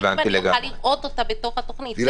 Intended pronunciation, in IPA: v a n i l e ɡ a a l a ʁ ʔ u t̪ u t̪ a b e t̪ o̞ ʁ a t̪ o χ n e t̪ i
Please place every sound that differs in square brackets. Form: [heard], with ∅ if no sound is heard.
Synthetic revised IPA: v a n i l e ɡ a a l [i] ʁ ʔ [o] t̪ [o] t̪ a b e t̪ o̞ [χ] a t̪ o χ n [i] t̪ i